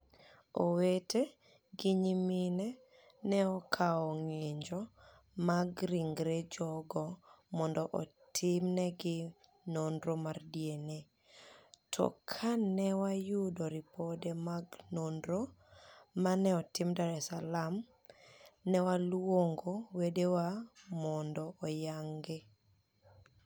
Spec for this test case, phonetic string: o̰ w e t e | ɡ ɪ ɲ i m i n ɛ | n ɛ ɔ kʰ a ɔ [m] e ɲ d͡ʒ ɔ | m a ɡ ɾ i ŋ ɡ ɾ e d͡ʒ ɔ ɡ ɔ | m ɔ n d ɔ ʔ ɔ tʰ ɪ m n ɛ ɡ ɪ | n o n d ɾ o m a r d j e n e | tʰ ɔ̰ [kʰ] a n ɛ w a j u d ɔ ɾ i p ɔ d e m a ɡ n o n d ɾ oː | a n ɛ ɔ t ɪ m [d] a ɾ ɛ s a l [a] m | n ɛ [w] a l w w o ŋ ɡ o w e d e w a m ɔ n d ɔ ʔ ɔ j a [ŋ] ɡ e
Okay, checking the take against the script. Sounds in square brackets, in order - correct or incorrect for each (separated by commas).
incorrect, correct, correct, correct, correct, correct